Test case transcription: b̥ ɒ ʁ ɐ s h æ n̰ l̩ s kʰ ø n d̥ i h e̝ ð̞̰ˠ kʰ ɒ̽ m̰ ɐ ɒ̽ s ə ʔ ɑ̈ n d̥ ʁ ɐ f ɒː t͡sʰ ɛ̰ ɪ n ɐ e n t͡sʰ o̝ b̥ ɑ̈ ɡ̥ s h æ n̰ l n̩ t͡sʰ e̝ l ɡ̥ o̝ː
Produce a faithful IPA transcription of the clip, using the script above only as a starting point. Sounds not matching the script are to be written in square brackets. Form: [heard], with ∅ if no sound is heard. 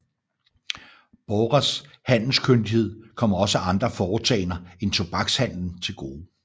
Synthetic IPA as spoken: b̥ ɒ ʁ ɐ s h æ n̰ l̩ s kʰ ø n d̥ i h e̝ ð̞̰ˠ kʰ ɒ̽ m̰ ɐ ɒ̽ s ə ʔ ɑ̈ n d̥ ʁ ɐ f ɒː t͡sʰ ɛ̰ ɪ n ɐ e n t͡sʰ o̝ b̥ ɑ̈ ɡ̥ s h æ n̰ l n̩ t͡sʰ e̝ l ɡ̥ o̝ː